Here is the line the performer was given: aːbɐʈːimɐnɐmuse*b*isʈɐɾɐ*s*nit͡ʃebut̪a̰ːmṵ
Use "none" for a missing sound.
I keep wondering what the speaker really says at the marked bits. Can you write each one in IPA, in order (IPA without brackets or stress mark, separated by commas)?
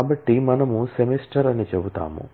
m, none